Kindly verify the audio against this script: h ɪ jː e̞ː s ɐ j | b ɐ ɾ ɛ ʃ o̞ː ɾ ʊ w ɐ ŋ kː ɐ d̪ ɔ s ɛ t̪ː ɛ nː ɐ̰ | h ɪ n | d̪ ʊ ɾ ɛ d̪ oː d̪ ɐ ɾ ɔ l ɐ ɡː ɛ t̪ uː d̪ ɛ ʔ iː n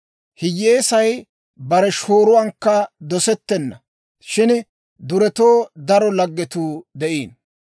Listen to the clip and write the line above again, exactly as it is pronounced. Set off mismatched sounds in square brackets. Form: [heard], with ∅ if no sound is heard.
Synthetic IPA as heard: h ɪ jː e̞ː s ɐ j | b ɐ ɾ ɛ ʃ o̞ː ɾ ʊ w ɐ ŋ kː ɐ d̪ ɔ s ɛ t̪ː ɛ nː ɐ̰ | [ʃ] ɪ n | d̪ ʊ ɾ ɛ [t̪] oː d̪ ɐ ɾ ɔ l ɐ ɡː ɛ t̪ uː d̪ ɛ ʔ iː n